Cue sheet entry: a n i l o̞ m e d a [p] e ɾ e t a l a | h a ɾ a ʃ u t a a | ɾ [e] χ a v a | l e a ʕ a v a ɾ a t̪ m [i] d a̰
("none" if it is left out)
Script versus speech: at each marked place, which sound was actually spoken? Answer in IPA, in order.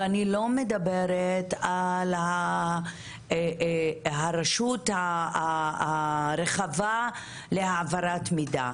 b, e, i

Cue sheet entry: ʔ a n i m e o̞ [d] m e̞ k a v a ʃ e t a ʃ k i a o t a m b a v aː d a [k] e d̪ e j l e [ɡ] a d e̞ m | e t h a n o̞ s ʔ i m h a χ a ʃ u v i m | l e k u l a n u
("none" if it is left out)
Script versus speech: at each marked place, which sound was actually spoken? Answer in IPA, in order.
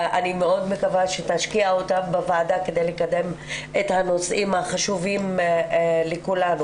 d, k, k

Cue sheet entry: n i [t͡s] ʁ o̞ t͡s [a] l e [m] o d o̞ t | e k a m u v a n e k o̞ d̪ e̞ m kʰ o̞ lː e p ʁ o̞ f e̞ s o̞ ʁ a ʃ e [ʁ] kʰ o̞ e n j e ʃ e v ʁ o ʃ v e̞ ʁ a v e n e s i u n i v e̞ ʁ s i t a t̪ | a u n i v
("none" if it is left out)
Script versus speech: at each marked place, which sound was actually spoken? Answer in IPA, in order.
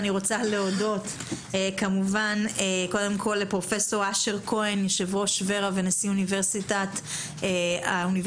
none, a, none, ʁ

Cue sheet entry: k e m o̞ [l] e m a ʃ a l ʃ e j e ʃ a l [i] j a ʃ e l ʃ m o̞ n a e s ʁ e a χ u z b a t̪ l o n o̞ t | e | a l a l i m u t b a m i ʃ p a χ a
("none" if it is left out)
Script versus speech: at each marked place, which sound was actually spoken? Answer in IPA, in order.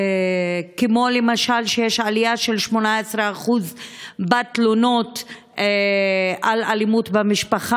l, i

